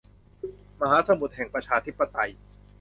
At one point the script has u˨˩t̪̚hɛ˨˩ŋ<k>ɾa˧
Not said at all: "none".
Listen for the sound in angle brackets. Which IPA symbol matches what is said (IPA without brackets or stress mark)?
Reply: p